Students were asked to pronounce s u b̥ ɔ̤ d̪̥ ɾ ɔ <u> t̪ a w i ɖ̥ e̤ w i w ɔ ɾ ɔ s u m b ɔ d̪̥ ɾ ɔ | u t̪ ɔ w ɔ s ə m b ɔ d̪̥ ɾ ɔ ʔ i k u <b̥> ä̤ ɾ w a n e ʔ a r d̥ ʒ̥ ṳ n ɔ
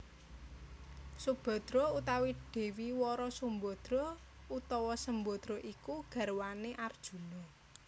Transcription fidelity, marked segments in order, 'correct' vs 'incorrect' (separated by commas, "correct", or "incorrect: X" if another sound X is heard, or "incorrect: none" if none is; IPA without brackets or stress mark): correct, incorrect: ɡ̥